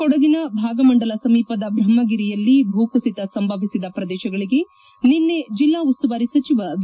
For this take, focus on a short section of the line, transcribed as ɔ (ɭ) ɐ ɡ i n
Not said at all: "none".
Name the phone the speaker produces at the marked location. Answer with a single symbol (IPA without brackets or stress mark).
ɽ